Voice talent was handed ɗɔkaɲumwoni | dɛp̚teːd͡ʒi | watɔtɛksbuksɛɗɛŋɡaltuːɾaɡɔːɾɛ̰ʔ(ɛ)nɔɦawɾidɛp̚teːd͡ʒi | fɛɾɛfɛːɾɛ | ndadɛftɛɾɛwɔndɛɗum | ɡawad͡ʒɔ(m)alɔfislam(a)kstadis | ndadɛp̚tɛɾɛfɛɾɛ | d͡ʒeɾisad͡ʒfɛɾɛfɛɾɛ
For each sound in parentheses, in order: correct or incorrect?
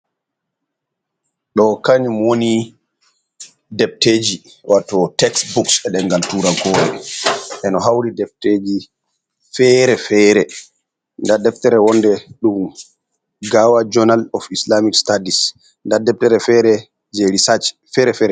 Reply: correct, incorrect, incorrect

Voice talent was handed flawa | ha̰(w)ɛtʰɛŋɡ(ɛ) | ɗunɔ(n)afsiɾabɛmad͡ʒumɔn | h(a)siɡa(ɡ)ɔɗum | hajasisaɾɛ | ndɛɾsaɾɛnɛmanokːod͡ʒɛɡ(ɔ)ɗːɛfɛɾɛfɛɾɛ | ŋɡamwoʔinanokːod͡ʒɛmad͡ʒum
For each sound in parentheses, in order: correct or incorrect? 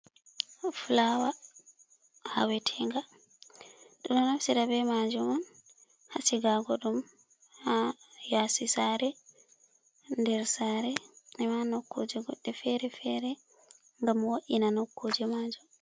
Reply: correct, incorrect, correct, correct, correct, correct

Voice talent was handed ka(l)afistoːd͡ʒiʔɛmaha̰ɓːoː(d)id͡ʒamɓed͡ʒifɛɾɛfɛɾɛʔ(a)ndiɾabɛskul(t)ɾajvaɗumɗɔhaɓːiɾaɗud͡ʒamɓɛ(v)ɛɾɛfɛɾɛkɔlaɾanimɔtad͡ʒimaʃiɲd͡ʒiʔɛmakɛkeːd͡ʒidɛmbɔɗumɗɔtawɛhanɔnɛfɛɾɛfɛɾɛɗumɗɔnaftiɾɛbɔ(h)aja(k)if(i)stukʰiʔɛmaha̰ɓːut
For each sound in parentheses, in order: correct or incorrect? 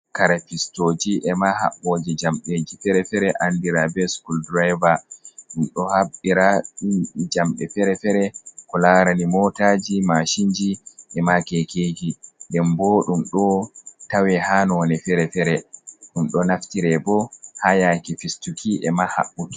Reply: incorrect, incorrect, correct, incorrect, incorrect, correct, correct, correct

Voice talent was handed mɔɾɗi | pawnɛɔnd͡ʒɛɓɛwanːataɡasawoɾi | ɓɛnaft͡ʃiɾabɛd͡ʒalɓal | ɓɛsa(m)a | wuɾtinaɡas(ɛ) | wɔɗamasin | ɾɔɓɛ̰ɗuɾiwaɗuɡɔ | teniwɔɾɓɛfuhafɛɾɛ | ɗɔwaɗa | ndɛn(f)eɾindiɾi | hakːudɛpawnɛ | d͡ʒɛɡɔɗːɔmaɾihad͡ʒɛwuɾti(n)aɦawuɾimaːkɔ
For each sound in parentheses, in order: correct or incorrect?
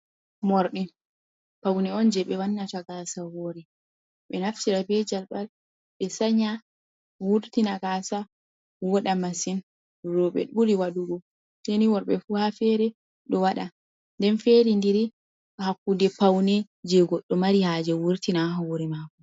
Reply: incorrect, incorrect, correct, correct

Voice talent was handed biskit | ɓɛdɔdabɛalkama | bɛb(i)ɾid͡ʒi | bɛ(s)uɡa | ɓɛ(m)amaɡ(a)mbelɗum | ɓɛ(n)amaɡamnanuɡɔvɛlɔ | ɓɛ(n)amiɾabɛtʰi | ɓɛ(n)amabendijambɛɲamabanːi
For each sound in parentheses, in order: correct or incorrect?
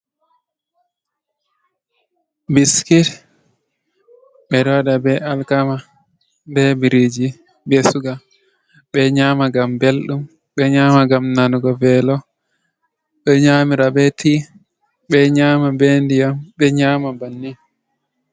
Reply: correct, correct, incorrect, correct, incorrect, incorrect, incorrect

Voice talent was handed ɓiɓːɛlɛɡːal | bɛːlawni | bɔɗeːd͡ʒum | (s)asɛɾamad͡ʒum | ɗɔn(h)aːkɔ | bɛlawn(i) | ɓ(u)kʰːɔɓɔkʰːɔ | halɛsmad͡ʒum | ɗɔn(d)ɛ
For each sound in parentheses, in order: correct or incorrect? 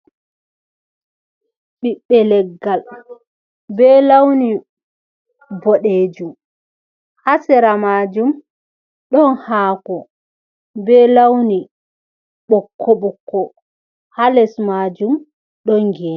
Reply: incorrect, correct, correct, incorrect, incorrect

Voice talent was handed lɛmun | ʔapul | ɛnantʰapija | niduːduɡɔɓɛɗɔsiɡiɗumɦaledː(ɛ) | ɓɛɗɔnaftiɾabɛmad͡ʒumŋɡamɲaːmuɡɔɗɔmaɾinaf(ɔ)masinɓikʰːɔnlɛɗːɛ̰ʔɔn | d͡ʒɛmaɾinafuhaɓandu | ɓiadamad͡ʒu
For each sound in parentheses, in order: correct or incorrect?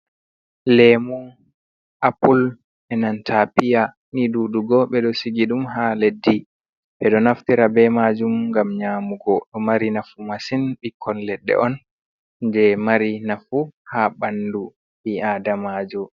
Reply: incorrect, incorrect

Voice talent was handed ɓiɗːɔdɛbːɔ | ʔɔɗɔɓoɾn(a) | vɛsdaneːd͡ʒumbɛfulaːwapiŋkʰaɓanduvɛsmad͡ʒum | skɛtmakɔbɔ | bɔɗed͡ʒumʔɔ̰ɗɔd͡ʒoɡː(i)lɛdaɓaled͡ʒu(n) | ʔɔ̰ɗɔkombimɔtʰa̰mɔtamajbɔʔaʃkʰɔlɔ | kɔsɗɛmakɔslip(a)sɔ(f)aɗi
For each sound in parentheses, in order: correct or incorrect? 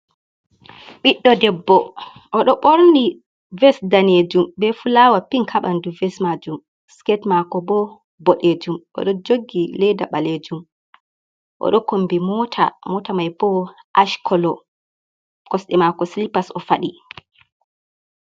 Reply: incorrect, correct, incorrect, correct, correct

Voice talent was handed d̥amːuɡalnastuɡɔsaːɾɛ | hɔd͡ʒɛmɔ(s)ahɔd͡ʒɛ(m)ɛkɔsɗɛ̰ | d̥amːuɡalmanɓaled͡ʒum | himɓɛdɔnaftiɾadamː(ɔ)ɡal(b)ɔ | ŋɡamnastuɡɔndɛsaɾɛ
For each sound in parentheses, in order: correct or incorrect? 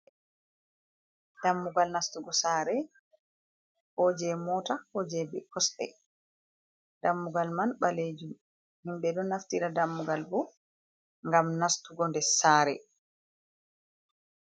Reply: incorrect, incorrect, incorrect, correct

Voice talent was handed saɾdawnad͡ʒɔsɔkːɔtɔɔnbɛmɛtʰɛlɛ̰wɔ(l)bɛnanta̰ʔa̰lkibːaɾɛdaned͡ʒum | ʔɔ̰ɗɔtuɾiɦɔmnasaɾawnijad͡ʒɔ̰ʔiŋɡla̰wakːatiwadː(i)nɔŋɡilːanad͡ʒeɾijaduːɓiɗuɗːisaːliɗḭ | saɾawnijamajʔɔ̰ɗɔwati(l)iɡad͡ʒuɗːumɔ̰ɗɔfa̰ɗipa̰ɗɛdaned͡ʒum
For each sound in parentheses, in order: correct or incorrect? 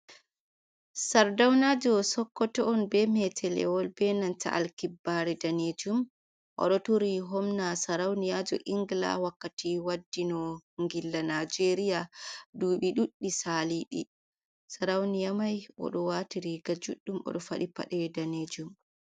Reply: correct, correct, incorrect

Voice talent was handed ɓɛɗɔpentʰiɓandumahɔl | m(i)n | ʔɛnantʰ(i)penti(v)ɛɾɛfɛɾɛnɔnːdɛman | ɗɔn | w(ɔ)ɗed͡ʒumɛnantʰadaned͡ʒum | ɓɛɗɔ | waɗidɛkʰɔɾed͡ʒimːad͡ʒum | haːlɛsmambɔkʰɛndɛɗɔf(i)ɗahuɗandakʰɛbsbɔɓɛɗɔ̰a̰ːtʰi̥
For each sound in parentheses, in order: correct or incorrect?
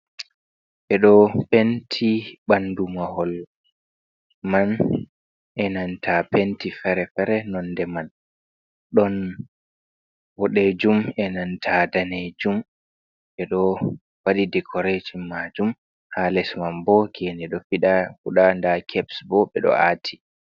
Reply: incorrect, incorrect, incorrect, correct, correct

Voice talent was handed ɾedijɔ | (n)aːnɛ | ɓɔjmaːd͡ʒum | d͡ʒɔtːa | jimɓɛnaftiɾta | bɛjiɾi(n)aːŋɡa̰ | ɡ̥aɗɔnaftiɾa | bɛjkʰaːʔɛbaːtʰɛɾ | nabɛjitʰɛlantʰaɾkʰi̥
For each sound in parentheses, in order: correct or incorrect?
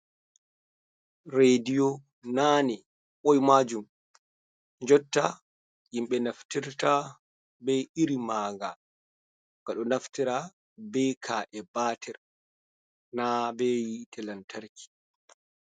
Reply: correct, incorrect

